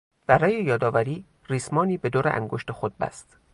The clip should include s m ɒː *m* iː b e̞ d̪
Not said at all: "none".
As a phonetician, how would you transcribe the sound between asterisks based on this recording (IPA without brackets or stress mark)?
n